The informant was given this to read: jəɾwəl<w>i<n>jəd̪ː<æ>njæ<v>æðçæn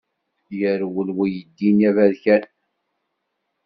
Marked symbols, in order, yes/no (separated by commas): yes, no, no, yes